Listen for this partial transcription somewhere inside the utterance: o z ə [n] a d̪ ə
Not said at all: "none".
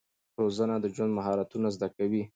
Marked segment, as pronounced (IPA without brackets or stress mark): n